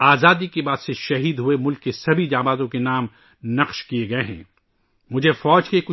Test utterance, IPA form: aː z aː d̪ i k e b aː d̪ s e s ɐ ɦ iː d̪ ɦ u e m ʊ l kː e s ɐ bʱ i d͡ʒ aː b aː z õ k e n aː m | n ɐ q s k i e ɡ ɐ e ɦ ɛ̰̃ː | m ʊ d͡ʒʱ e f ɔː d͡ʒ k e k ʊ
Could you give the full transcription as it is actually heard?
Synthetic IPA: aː z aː d̪ i k e b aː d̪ s e ʃ ɐ ɦ iː d̪ ɦ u e m ʊ l kː e s ɐ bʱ i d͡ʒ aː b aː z õ k e n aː m | n ɐ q ʃ k i e ɡ ɐ e ɦ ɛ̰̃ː | m ʊ d͡ʒʱ e f ɔː d͡ʒ k e k ʊ